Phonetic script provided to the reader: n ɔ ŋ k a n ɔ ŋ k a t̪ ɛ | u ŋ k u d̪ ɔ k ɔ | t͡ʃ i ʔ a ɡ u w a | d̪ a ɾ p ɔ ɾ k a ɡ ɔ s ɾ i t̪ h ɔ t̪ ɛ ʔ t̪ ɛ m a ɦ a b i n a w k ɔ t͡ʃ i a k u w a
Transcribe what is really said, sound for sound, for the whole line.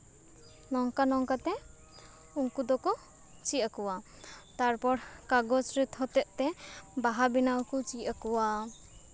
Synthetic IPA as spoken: n ɔ ŋ k a n ɔ ŋ k a t̪ ɛ | u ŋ k u d̪ ɔ k ɔ | t͡ʃ i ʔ a k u w a | t̪ a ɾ p ɔ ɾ k a ɡ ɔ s ɾ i t̪ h ɔ t̪ ɛ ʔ t̪ ɛ b a ɦ a b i n a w k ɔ t͡ʃ i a k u w a